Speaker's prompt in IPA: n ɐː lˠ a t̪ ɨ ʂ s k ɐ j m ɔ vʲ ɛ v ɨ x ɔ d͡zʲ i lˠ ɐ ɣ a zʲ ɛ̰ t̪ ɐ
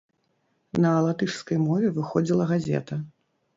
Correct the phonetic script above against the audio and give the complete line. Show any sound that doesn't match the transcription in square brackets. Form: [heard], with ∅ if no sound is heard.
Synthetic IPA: n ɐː lˠ a t̪ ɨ ʂ s k ɐ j m ɔ vʲ ɛ v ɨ x ɔ d͡zʲ i lˠ ɐ ɣ a zʲ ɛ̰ t̪ ɐ

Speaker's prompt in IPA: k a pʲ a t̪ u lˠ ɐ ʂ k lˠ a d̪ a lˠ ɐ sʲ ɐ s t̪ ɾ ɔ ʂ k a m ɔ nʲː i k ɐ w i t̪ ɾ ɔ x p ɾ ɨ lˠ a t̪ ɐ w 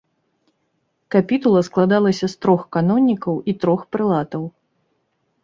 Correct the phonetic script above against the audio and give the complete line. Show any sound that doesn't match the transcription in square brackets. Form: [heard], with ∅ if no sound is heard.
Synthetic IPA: k a pʲ [i] t̪ u lˠ ɐ [s] k lˠ a d̪ a lˠ ɐ sʲ ɐ s t̪ ɾ ɔ [x] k a [n] ɔ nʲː i k ɐ w i t̪ ɾ ɔ x p ɾ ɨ lˠ a t̪ ɐ w

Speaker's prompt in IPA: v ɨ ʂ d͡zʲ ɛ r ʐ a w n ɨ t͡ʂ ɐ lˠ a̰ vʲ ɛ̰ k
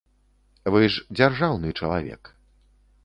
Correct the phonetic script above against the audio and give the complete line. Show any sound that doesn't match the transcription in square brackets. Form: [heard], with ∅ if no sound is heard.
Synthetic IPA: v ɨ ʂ d͡zʲ [a] r ʐ a w n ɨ t͡ʂ ɐ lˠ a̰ vʲ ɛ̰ k

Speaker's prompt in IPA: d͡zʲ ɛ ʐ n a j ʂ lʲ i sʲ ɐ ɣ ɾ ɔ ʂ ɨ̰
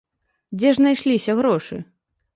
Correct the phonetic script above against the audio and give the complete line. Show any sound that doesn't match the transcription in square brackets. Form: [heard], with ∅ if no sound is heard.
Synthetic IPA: d͡zʲ ɛ ʐ n a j ʂ lʲ i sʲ ɐ ɣ ɾ ɔ ʂ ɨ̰

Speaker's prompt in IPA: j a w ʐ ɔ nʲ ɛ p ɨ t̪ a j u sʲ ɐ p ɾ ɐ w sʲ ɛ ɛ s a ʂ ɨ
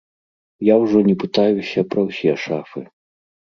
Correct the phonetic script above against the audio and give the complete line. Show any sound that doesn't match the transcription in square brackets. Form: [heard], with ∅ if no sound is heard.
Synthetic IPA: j a w ʐ ɔ nʲ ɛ p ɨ t̪ a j u sʲ ɐ p ɾ ɐ w sʲ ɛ ɛ [ʂ] a [f] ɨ

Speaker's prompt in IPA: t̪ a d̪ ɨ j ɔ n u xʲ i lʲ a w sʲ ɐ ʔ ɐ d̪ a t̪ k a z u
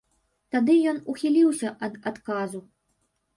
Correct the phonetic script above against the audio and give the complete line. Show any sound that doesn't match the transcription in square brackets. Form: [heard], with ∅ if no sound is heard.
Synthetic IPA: t̪ a d̪ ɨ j ɔ n u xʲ i lʲ [i] w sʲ ɐ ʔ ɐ d̪ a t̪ k a z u

